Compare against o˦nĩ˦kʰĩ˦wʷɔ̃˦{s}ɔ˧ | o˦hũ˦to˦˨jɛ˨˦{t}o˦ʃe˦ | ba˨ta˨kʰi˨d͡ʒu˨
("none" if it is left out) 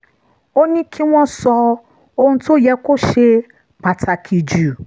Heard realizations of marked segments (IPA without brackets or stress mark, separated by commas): s, k